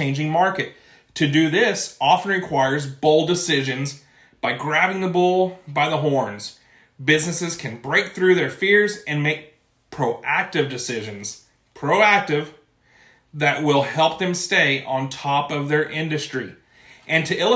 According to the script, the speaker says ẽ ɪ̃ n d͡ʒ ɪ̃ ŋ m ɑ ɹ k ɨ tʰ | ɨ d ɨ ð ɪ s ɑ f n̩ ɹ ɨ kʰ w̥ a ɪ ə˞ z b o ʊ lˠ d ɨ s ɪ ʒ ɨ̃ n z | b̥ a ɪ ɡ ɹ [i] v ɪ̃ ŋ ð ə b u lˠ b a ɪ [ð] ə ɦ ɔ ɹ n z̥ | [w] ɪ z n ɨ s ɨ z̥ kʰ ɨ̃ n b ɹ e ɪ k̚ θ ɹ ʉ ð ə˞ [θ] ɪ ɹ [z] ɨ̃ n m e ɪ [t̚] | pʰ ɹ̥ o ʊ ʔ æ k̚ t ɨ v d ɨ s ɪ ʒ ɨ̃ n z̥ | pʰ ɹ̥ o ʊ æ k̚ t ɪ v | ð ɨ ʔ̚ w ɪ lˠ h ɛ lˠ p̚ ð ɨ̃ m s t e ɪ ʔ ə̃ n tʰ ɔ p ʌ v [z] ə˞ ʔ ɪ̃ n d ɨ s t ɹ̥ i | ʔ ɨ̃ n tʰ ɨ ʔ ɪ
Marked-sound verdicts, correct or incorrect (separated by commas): incorrect, correct, incorrect, incorrect, correct, incorrect, incorrect